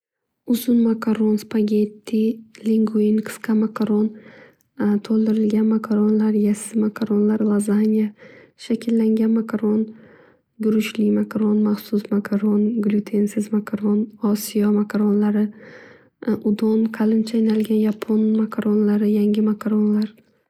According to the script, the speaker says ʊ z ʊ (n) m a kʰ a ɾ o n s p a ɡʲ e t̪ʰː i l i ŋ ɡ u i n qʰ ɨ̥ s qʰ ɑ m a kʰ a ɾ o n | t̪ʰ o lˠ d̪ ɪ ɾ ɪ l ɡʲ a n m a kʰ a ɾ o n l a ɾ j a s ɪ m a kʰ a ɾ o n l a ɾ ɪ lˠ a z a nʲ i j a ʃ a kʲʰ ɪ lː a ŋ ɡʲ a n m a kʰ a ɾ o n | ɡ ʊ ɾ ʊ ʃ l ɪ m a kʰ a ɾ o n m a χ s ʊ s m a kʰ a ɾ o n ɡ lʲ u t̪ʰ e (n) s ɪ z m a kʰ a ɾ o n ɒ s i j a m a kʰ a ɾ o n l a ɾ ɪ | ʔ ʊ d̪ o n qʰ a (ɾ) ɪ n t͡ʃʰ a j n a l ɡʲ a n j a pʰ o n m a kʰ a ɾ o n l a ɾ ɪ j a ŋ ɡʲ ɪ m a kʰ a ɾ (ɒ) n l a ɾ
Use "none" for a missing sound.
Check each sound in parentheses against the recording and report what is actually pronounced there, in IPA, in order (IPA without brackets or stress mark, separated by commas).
n, n, l, o